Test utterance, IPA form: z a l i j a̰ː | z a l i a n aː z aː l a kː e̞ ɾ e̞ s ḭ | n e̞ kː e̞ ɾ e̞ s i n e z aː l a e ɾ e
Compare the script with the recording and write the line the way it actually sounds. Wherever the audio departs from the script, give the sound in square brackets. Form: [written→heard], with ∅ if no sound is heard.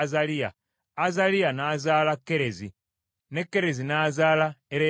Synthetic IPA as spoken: z a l i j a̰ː | z a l i a n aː z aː l a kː e̞ ɾ e̞ [s→z] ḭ | n e̞ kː e̞ ɾ e̞ [s→z] i n [e→a] z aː l a e ɾ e

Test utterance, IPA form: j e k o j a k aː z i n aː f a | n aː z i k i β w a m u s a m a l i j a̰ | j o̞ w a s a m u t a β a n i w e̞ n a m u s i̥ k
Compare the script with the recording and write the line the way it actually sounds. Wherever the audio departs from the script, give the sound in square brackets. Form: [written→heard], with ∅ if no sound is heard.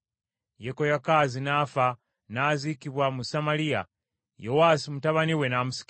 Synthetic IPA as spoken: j e k o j a k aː z i n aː f a | n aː z i k i β w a m u s a m a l i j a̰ | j o̞ w a s [a→i] m u t a β a n i w e̞ n a m u s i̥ k

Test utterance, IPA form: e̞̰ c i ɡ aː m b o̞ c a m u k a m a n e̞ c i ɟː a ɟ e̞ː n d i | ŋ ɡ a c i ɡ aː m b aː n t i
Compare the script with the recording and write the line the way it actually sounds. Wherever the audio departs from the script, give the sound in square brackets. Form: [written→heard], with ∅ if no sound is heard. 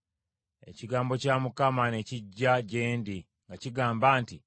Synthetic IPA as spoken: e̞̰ c i ɡ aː m b o̞ c a m u k a m a n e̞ c i ɟː a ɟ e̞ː n d i | ŋ ɡ a c i ɡ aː m b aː n t i

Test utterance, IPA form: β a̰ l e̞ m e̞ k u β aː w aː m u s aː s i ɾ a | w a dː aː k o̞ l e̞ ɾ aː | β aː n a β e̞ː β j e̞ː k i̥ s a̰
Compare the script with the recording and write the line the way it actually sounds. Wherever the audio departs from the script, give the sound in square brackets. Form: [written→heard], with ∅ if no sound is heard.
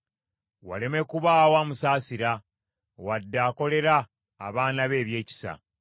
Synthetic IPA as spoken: [β→w] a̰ l e̞ m e̞ k u β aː w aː m u s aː s i ɾ a | w a dː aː k o̞ l e̞ ɾ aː | β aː n a β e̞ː β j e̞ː [k→c] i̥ s a̰

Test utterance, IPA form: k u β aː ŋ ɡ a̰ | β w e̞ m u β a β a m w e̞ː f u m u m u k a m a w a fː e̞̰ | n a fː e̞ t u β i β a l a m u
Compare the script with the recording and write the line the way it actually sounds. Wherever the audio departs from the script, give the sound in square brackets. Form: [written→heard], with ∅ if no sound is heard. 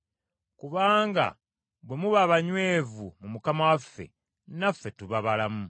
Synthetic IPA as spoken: k u β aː ŋ ɡ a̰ | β w e̞ m u β a β a [m→ɲ] w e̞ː [f→v] u m u m u k a m a w a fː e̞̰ | n a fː e̞ t u β [i→a] β a l a m u

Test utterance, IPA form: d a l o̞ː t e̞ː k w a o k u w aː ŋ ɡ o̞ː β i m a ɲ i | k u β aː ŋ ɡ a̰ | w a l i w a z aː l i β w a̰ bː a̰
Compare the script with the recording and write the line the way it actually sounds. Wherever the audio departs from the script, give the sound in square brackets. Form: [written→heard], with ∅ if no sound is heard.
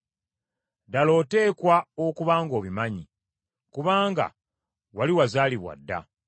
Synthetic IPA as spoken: d a l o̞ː t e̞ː k w a o k u [w→β] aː ŋ ɡ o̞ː β i m a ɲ i | k u β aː ŋ ɡ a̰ | w a l i w a z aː l i β w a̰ [bː→dː] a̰

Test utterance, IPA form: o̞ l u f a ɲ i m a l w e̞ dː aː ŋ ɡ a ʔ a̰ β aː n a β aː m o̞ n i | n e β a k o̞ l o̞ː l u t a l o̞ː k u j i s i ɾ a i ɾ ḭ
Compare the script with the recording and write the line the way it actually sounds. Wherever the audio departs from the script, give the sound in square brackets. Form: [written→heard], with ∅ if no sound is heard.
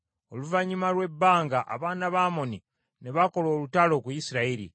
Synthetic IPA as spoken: o̞ l u [f→v] a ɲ i m a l w e̞ [dː→bː] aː ŋ ɡ a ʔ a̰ β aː n a β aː m o̞ n i | n e β a k o̞ l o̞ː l u t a l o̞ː k u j i s i ɾ a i ɾ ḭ

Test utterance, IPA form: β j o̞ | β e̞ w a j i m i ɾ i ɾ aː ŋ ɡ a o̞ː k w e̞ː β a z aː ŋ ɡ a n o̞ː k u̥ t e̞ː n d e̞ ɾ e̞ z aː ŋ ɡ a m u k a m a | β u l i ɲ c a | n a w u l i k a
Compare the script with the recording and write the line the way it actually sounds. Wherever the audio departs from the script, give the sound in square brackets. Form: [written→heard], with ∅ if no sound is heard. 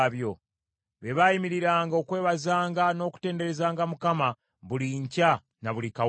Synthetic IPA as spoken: β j o̞ | β e̞ [w→β] a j i m i ɾ i ɾ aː ŋ ɡ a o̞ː k w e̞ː β a z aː ŋ ɡ a n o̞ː k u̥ t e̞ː n d e̞ ɾ e̞ z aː ŋ ɡ a m u k a m a | β u l i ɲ c a | n a [w→β] u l i k a

